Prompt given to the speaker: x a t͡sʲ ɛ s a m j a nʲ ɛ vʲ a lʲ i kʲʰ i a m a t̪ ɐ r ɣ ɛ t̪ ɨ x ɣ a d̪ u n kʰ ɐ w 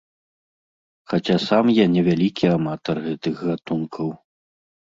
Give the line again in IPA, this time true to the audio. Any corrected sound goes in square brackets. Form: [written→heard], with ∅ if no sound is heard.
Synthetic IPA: x a t͡sʲ [ɛ→a] s a m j a nʲ ɛ vʲ a lʲ i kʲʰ i a m a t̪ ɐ r ɣ ɛ t̪ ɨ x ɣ a [d̪→t̪] u n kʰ ɐ w